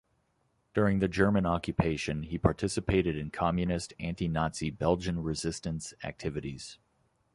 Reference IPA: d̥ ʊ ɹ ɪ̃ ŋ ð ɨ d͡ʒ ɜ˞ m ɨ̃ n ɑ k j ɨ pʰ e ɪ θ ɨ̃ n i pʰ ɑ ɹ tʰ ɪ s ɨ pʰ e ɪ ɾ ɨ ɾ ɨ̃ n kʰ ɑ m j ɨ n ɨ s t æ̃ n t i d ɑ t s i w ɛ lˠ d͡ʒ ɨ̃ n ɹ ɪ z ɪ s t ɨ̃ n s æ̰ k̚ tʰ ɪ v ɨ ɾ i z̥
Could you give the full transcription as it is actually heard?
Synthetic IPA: d̥ ʊ ɹ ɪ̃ ŋ ð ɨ d͡ʒ ɜ˞ m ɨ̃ n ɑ k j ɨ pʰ e ɪ ʃ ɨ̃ n i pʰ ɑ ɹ tʰ ɪ s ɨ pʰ e ɪ ɾ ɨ ɾ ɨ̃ n kʰ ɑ m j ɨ n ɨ s t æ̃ n t i n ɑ t s i b ɛ lˠ d͡ʒ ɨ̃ n ɹ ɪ z ɪ s t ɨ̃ n s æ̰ k̚ tʰ ɪ v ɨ ɾ i z̥

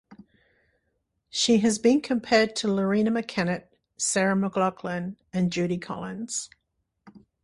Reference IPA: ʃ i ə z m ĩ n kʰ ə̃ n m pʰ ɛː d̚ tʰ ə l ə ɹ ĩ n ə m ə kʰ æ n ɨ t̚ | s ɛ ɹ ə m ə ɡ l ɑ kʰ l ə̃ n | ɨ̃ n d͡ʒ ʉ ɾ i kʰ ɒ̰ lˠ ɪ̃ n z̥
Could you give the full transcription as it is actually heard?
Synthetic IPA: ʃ i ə z b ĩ n kʰ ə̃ m pʰ ɛː d̚ tʰ ə l ə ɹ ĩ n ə m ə kʰ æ n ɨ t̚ | s ɛ ɹ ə m ə ɡ l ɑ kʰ l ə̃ n | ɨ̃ n d͡ʒ ʉ ɾ i kʰ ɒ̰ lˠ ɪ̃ n z̥

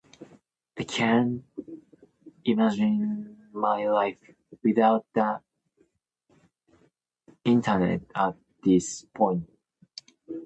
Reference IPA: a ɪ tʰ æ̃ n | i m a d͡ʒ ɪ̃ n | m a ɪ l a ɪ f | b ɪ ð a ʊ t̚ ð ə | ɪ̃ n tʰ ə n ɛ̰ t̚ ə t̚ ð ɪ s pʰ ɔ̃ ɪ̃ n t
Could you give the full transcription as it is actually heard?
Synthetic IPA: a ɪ kʰ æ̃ n | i m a d͡ʒ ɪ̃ n | m a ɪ l a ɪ f | w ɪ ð a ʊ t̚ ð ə | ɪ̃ n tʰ ə n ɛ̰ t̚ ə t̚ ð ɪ s pʰ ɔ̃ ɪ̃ n t

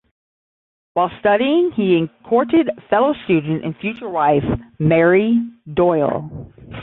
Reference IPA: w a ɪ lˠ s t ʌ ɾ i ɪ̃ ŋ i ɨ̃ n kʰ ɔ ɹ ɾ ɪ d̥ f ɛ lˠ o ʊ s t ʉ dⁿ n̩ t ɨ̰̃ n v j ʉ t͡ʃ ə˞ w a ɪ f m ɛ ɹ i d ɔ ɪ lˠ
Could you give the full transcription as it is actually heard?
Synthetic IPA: w a ɪ lˠ s t ʌ ɾ i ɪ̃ ŋ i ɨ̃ n kʰ ɔ ɹ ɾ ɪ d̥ f ɛ lˠ o ʊ s t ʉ dⁿ n̩ t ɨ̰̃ n f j ʉ t͡ʃ ə˞ w a ɪ f m ɛ ɹ i d ɔ ɪ lˠ

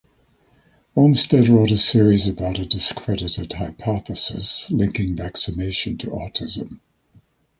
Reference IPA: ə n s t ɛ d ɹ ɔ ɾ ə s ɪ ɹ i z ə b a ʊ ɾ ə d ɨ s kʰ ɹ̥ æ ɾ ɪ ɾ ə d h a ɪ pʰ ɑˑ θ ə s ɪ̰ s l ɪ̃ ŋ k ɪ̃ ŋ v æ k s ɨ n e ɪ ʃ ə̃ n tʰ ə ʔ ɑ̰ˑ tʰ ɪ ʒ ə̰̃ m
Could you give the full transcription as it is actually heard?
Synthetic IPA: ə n s t ɛ d ɹ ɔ ɾ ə s ɪ ɹ i z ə b a ʊ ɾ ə d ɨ s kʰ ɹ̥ ɛ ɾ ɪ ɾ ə d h a ɪ pʰ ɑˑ θ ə s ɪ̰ s l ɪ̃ ŋ k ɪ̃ ŋ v æ k s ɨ n e ɪ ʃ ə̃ n tʰ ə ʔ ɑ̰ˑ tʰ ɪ z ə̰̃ m

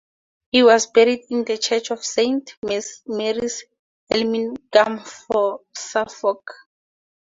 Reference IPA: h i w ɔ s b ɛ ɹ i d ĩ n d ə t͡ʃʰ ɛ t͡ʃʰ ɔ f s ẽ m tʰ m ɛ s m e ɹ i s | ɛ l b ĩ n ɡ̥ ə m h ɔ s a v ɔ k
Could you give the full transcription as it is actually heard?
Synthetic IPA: h i w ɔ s b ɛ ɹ i d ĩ n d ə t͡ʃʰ ɛ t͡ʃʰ ɔ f s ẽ n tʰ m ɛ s m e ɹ i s | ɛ l m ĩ n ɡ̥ a m f ɔ s a f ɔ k

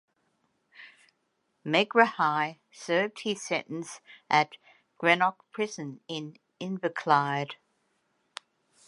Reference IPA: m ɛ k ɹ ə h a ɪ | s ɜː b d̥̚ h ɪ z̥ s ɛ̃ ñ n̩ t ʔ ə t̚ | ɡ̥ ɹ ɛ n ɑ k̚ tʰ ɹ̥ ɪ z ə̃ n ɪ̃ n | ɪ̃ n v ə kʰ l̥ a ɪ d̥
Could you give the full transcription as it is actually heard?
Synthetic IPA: m ɛ ɡ ɹ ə h a ɪ | s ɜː v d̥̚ h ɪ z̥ s ɛ̃ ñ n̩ s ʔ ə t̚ | ɡ̥ ɹ ɛ n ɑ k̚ pʰ ɹ̥ ɪ z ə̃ n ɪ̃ n | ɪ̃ n v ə kʰ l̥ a ɪ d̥

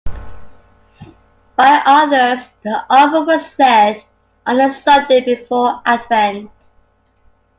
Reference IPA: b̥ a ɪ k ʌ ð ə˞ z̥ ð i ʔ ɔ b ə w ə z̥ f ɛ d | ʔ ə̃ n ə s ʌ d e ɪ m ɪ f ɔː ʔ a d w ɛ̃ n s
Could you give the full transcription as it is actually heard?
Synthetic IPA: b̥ a ɪ ʔ ʌ ð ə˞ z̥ ð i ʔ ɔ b ə w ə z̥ s ɛ d | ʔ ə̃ n ə s ʌ d e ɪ b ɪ f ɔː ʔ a d v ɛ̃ n t

